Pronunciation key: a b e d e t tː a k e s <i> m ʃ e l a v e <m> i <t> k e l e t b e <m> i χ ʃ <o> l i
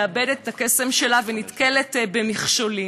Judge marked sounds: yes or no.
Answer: no, no, yes, yes, yes

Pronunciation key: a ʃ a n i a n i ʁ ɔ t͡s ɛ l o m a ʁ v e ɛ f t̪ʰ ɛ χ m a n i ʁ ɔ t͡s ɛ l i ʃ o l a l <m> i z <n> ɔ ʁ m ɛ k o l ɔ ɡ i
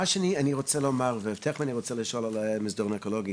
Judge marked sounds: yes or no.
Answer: yes, no

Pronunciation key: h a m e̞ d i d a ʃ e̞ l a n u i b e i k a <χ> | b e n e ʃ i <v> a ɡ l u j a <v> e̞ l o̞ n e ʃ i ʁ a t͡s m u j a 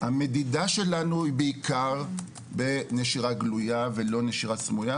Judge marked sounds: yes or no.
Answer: no, no, yes

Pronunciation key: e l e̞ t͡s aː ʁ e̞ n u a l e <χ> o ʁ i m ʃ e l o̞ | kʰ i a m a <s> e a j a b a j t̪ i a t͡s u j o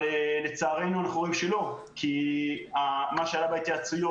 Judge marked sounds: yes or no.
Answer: yes, no

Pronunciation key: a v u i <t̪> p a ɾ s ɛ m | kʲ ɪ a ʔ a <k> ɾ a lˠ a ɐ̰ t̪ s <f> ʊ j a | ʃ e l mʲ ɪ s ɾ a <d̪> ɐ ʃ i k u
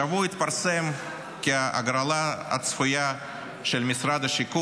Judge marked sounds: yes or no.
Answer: yes, no, yes, yes

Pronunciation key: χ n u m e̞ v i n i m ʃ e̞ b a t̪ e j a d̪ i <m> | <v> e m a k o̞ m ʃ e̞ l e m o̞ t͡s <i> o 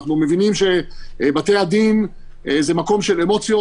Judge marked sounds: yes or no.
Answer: no, no, no

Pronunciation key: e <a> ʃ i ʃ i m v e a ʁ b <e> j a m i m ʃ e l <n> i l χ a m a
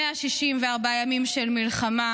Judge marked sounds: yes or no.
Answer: yes, no, no

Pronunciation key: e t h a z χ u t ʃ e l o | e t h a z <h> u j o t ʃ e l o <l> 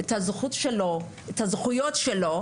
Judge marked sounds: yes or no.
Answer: no, no

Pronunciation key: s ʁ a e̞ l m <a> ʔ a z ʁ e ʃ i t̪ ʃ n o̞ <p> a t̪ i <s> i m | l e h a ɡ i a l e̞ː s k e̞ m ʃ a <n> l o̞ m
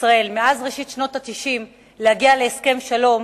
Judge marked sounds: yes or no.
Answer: no, no, no, no

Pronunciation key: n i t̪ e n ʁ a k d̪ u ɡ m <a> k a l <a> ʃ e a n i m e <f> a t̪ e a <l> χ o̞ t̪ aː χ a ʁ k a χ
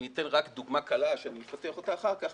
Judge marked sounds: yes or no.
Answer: yes, yes, yes, no

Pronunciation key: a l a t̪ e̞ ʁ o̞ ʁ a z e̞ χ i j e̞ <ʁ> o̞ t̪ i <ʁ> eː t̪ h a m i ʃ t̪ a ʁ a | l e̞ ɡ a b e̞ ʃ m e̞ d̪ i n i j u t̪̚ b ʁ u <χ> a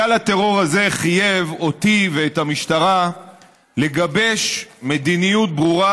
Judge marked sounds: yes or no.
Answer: no, no, no

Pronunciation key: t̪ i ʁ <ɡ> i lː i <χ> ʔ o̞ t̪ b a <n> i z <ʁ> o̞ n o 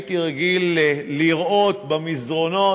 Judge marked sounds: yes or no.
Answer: yes, no, no, yes

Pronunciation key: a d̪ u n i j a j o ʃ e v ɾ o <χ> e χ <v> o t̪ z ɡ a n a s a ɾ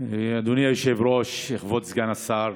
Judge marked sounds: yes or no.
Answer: no, yes

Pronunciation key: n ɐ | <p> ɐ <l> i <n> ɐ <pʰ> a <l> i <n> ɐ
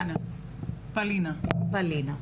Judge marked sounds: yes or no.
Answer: yes, yes, yes, no, yes, yes

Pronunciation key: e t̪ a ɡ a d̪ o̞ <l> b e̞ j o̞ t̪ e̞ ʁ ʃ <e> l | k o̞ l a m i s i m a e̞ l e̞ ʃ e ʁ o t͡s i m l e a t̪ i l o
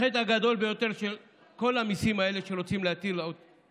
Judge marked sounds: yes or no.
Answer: yes, yes

